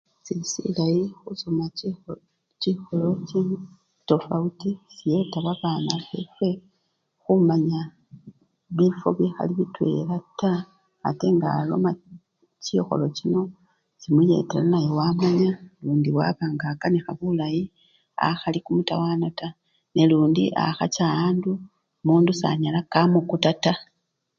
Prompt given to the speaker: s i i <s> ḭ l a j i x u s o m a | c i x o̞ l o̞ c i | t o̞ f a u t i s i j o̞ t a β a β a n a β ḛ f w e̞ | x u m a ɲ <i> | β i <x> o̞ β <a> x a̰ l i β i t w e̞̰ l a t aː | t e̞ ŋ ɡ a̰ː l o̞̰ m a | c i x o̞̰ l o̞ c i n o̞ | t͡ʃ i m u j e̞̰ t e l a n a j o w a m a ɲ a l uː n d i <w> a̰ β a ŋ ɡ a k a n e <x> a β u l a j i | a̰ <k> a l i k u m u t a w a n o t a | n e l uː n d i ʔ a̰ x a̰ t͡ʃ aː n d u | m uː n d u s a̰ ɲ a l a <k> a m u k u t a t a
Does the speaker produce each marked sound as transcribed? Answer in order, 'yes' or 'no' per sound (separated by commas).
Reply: yes, no, no, no, yes, yes, no, yes